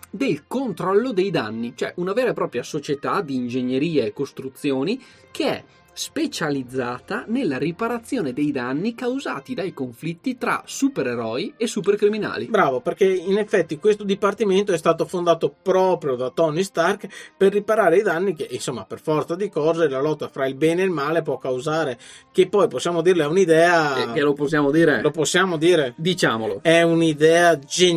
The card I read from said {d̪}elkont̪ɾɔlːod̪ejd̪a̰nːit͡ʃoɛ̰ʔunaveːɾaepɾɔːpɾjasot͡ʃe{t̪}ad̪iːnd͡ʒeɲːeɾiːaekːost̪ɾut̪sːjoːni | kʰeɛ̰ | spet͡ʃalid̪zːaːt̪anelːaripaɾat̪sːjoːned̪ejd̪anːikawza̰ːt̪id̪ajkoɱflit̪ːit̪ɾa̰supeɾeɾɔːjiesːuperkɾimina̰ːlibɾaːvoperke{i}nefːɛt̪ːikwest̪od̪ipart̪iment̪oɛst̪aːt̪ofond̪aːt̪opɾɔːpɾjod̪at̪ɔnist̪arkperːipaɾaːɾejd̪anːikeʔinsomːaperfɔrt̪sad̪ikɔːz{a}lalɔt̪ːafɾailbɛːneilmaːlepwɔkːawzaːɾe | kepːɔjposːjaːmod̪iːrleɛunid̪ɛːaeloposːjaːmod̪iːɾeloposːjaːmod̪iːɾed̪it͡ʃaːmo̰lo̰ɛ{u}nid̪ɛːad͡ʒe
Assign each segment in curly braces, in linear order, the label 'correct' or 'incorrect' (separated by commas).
correct, correct, correct, incorrect, correct